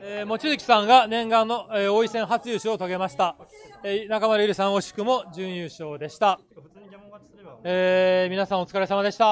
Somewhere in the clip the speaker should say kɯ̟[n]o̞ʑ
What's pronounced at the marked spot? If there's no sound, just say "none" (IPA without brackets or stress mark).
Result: m